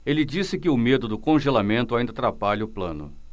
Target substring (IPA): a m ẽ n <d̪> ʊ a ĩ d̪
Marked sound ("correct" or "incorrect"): incorrect